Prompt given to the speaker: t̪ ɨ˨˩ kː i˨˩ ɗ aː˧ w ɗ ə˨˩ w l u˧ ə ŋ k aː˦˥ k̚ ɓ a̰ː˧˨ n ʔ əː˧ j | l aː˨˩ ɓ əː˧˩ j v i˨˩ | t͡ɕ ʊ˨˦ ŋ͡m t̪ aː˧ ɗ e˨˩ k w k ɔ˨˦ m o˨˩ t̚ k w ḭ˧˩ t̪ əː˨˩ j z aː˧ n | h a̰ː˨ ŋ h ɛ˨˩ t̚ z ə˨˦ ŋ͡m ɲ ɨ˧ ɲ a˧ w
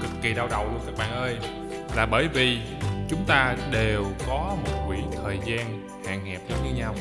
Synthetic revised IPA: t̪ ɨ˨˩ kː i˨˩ ɗ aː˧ w ɗ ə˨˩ w l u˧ ə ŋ k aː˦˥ k̚ ɓ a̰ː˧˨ n ʔ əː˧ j | l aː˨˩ ɓ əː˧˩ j v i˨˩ | t͡ɕ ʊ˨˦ ŋ͡m t̪ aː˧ ɗ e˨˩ w k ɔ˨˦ m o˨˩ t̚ k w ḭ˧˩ t̪ʰ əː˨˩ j z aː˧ n | h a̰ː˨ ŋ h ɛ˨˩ p̚ z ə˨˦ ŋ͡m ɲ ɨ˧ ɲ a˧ w